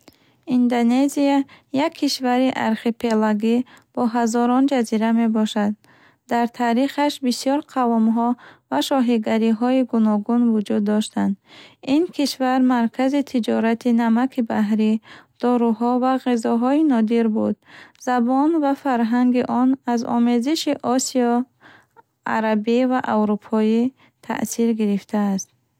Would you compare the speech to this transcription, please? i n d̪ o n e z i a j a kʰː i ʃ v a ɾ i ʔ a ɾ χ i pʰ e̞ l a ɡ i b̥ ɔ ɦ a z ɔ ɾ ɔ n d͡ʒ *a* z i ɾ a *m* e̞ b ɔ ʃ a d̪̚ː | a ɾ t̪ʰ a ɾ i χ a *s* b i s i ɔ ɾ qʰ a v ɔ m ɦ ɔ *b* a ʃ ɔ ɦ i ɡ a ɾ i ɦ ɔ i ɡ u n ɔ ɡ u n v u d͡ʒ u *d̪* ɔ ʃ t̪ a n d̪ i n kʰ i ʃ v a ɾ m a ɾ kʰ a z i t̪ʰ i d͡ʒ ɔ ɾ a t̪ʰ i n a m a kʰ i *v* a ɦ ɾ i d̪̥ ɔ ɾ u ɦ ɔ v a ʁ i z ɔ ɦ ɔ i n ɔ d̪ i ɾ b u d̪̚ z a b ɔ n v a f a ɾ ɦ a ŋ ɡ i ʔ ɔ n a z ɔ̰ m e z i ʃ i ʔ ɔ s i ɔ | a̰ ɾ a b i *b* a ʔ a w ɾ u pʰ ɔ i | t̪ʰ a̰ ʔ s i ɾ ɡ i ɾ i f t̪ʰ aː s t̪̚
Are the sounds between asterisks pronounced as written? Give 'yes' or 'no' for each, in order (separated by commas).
yes, yes, no, no, no, no, no